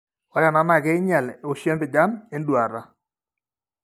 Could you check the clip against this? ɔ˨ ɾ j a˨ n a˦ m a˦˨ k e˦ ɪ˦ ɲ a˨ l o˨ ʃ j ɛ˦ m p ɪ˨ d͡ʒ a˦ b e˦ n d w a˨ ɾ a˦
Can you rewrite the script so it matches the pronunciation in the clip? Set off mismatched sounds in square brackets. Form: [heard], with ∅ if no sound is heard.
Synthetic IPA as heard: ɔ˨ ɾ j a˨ n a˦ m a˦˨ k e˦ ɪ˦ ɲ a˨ l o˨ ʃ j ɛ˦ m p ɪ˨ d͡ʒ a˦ [m] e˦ n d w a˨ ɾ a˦